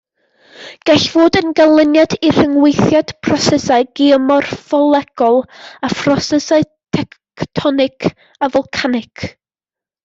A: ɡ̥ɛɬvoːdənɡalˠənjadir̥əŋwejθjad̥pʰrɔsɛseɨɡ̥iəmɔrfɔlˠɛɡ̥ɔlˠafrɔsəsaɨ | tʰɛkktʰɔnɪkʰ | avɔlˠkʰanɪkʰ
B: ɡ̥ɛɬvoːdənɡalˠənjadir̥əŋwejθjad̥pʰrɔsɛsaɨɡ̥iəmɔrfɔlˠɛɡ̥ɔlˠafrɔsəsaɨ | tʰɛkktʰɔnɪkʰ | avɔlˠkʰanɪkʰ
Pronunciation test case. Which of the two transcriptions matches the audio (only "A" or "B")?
B